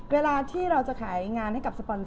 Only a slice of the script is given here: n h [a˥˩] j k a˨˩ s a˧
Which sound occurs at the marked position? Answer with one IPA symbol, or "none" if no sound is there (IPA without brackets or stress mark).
a˥˩